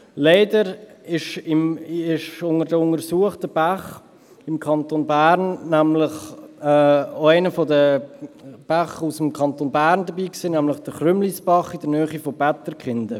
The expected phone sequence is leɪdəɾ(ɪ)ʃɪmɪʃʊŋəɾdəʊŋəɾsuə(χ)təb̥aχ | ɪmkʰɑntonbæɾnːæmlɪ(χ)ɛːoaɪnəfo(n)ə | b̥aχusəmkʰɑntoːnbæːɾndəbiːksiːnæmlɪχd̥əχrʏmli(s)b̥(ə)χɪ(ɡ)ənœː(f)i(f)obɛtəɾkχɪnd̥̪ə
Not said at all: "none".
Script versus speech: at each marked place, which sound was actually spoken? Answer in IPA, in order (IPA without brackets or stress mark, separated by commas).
ɪ, χ, χ, d, s, ɑ, d, χ, f